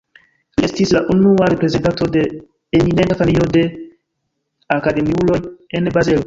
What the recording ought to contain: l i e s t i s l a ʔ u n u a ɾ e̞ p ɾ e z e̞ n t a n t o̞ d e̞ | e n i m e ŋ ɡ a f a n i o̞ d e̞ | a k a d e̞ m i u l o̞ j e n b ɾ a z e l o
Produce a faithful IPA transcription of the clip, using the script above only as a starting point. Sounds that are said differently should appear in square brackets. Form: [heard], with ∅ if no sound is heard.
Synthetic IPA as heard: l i e s t i s l a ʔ u n u a ɾ e̞ p ɾ e z e̞ n t a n t o̞ d e̞ | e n i [n] e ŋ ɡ a f a n i o̞ d e̞ | a k a d e̞ m i u l o̞ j e n b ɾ a z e l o